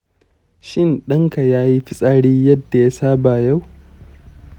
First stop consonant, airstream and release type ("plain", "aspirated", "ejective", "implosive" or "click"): implosive